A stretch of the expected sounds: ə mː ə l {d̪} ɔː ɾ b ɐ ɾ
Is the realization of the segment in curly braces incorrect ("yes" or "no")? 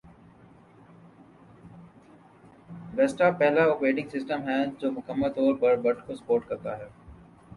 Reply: yes